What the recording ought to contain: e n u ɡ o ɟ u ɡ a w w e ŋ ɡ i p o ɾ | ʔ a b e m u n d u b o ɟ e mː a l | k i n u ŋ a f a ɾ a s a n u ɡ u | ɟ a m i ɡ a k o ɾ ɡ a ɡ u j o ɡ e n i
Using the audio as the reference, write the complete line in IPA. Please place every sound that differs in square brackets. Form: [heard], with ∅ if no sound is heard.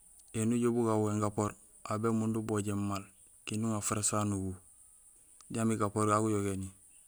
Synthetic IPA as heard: e n u [ɟ] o [b] u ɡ a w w e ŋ ɡ [a] p o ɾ | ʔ a b e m u n d u b o ɟ e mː a l | k i n u ŋ a f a ɾ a s a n u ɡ u | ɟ a m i ɡ a [p] o ɾ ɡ a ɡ u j o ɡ e n i